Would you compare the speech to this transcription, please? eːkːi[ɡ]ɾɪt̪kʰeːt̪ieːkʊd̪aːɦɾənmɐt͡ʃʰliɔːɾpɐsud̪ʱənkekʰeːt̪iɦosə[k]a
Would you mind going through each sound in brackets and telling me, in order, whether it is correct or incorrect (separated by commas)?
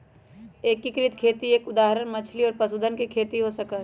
incorrect, correct